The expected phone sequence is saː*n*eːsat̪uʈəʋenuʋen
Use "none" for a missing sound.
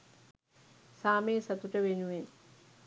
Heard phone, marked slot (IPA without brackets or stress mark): m